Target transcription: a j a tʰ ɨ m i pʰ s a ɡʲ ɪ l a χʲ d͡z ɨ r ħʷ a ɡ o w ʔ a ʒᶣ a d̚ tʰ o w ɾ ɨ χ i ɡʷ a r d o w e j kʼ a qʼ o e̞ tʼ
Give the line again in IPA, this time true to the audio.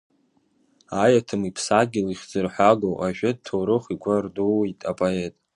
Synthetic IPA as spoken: a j a tʰ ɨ m i pʰ s a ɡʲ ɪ l i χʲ d͡z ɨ r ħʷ a ɡ o w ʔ a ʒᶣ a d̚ tʰ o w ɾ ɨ χ i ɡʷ a r d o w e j tʼ a pʼ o e̞ tʼ